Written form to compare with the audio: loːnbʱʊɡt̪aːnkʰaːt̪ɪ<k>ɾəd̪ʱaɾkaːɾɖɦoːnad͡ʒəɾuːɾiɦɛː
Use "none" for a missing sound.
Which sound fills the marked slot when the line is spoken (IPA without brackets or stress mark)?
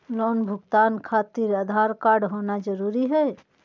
none